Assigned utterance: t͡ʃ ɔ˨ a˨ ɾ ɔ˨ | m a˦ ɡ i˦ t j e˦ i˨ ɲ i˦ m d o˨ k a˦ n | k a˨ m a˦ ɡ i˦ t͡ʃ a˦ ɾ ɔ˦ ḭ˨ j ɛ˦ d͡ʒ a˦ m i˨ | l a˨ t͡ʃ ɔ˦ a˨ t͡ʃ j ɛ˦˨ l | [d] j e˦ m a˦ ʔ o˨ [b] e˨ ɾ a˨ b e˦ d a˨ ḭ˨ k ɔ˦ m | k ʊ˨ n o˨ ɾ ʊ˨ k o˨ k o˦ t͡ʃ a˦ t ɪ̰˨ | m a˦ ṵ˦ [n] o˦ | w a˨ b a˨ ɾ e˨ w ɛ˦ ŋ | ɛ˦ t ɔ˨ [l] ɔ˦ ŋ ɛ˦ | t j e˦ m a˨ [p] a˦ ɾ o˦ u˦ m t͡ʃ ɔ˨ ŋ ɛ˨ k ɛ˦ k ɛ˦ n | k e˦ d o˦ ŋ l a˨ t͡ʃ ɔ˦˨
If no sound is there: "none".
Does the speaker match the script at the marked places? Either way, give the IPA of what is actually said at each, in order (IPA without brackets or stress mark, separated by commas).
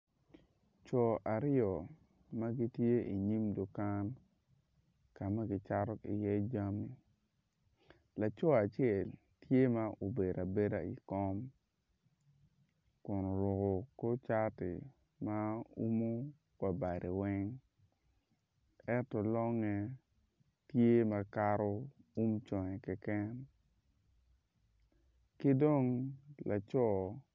t, b, m, l, k